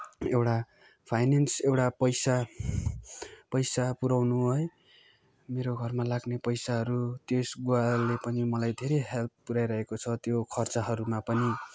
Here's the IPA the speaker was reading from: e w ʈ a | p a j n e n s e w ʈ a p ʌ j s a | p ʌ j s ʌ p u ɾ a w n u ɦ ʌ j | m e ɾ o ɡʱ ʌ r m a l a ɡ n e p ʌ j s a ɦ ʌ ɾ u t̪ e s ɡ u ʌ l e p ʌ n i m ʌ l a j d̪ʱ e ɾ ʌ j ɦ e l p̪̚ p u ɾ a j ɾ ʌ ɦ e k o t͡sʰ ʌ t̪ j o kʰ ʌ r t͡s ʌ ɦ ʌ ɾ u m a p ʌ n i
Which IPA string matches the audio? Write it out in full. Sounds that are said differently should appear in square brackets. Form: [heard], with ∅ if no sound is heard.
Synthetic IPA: e w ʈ a | [pʰ] a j n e n s e w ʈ a p ʌ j s a | p ʌ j s [a] p u ɾ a w n u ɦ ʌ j | m e ɾ o ɡʱ ʌ r m a l a ɡ n e p ʌ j s a ɦ ʌ ɾ u t̪ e s ɡ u [a] l e p ʌ n i m ʌ l a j d̪ʱ e ɾ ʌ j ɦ e l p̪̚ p u ɾ a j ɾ ʌ ɦ e k o t͡sʰ ʌ t̪ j o kʰ ʌ r t͡s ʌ ɦ ʌ ɾ u m a p ʌ n i